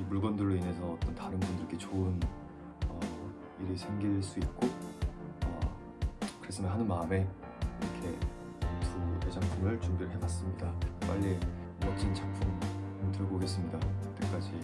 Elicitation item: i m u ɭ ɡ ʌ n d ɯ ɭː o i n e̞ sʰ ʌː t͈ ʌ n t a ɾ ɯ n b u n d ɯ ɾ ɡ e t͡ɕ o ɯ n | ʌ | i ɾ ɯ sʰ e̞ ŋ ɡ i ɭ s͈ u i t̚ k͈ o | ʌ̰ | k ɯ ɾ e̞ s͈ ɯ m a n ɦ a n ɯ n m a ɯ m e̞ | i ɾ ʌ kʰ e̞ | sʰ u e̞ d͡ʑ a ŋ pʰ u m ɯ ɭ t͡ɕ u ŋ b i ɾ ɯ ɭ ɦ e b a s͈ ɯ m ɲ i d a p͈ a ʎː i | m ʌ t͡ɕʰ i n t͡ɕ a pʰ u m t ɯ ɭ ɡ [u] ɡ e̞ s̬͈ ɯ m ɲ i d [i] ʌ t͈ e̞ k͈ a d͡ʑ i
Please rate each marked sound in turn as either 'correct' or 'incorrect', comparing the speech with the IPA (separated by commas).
incorrect, incorrect